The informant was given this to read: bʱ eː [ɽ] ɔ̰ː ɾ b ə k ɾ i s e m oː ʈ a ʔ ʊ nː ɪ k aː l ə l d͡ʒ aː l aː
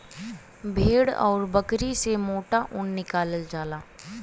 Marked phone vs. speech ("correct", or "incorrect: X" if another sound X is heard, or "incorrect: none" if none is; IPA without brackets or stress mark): correct